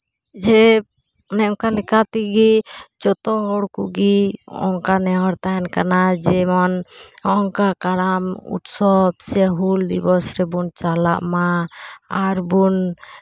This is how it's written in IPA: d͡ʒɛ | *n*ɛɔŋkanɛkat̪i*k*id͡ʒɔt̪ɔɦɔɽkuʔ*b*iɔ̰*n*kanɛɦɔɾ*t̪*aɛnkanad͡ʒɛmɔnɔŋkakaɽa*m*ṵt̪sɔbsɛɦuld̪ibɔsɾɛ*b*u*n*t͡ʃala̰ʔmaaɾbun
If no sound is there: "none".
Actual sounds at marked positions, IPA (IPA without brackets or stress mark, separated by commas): n, ɡ, ɡ, ŋ, t̪, m, b, n